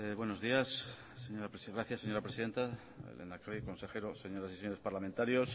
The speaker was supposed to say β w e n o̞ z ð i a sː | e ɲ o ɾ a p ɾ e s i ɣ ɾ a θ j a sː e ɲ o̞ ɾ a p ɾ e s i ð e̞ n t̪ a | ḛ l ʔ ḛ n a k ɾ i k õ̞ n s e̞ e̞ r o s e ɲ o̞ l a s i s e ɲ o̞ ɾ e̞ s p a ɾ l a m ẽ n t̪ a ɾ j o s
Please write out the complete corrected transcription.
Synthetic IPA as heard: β w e n o̞ z ð i a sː | e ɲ o ɾ a p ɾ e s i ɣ ɾ a θ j a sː e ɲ o̞ ɾ a p ɾ e s i ð e̞ n t̪ a | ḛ l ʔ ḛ n a k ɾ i k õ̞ n s e̞ e̞ ɾ o s e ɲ o̞ ɾ a s i s e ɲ o̞ ɾ e̞ s p a ɾ l a m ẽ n t̪ a ɾ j o s